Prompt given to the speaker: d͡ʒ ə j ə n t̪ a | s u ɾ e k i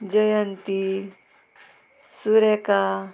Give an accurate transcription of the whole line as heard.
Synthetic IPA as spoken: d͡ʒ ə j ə n t̪ i | s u ɾ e k a